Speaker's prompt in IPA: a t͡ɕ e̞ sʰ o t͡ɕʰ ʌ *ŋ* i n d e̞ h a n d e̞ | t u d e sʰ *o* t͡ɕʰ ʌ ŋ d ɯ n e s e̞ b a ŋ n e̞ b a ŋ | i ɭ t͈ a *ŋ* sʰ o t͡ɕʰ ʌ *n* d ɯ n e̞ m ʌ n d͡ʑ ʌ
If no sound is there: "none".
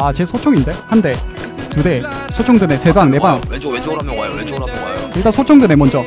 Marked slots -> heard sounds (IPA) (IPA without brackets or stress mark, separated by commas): ŋ, o, n, ŋ